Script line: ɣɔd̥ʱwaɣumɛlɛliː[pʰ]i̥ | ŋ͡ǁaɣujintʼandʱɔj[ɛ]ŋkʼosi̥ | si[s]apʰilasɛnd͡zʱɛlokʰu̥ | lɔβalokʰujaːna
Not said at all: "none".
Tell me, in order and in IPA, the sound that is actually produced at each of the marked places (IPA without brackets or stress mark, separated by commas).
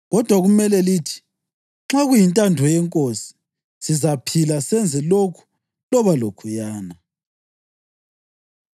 tʰ, ɛ, z